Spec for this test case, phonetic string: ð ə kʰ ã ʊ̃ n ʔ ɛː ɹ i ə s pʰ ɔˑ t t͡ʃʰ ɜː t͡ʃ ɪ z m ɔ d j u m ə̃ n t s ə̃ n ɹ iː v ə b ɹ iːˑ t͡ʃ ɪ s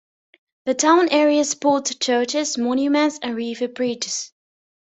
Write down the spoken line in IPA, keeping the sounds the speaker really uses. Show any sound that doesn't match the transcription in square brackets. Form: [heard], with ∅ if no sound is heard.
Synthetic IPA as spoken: ð ə [tʰ] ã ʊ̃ n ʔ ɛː ɹ i ə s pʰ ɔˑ t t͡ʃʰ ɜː t͡ʃ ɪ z m ɔ [n] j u m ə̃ n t s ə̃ n ɹ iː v ə b ɹ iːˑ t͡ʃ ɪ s